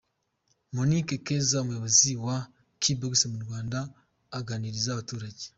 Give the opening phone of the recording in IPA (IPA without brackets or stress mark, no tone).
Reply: m